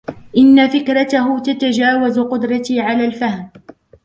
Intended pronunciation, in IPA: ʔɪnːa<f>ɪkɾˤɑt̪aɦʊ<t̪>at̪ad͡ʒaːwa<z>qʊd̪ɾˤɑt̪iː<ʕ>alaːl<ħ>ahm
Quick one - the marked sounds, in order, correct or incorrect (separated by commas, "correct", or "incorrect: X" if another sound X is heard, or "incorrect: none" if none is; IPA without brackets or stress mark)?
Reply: correct, correct, correct, correct, incorrect: f